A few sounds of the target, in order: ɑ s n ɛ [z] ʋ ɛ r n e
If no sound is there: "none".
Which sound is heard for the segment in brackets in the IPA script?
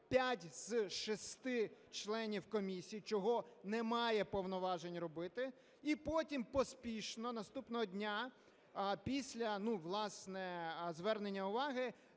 z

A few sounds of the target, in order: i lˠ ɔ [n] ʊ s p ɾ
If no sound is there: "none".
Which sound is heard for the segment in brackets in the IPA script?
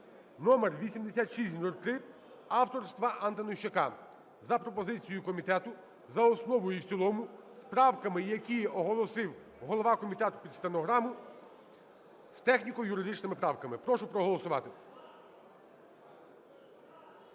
m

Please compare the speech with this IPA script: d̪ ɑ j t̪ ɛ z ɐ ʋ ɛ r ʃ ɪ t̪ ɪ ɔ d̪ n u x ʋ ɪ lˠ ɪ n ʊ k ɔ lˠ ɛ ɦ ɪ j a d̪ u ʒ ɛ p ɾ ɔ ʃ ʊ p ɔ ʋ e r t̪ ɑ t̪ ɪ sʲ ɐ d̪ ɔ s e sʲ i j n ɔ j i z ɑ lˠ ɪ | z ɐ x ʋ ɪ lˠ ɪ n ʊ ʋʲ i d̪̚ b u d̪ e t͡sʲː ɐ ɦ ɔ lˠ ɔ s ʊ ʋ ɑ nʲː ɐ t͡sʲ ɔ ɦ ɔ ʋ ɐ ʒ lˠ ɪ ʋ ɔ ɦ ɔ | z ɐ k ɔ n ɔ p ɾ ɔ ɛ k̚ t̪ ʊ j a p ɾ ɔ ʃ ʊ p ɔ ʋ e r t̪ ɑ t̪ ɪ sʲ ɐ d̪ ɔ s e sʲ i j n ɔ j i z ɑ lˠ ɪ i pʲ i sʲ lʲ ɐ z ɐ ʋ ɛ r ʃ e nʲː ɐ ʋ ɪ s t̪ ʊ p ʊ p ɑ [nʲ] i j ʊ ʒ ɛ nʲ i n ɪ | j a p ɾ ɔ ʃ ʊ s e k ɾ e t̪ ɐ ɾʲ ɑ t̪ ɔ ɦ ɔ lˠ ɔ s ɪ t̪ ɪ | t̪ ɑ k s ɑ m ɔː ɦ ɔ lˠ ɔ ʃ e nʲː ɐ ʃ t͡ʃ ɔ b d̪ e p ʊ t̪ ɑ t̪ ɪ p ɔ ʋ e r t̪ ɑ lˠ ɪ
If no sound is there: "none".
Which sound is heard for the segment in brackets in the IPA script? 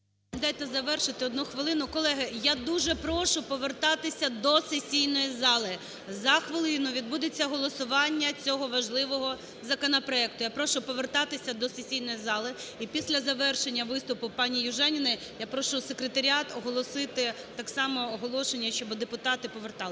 nʲ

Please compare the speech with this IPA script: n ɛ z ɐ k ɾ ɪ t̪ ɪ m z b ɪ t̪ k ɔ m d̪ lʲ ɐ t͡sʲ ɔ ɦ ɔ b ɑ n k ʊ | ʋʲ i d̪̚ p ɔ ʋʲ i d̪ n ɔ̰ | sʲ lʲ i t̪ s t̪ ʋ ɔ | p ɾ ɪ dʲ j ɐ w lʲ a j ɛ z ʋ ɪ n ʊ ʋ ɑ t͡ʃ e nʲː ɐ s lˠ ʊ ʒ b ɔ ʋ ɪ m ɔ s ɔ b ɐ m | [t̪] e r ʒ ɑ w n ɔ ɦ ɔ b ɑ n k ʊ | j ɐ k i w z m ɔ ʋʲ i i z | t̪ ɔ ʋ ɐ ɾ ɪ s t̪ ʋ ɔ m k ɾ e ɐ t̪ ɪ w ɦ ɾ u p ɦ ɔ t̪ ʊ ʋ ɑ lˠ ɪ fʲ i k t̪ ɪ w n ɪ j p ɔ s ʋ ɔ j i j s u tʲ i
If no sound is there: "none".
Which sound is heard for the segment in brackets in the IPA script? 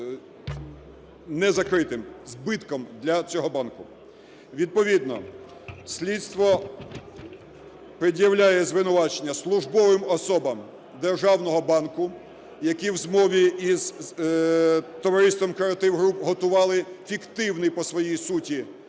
d̪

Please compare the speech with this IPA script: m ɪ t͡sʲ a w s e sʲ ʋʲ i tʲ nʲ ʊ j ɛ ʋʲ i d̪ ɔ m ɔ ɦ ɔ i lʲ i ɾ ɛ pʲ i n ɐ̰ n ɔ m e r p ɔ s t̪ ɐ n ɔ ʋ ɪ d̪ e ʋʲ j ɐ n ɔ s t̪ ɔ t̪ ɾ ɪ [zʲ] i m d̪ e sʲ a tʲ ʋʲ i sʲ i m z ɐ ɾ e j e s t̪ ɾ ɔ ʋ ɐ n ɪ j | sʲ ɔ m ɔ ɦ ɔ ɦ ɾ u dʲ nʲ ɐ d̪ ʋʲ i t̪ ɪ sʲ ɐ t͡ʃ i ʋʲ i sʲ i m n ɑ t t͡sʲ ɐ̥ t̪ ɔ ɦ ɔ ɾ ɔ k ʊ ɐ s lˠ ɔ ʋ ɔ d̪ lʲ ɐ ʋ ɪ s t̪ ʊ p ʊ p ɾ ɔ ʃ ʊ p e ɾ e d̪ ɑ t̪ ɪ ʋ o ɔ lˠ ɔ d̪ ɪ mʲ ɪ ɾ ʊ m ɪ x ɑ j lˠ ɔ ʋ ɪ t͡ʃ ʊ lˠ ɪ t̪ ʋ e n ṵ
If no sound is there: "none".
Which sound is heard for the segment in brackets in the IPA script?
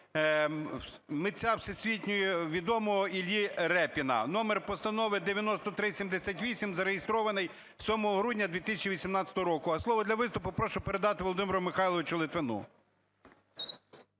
sʲ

